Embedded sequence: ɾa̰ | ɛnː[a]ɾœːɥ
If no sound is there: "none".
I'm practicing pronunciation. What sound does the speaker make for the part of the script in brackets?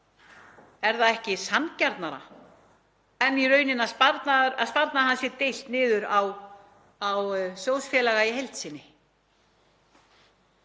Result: i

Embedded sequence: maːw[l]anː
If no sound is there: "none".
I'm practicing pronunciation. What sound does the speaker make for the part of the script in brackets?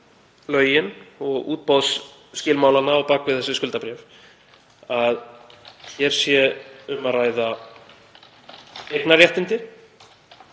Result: l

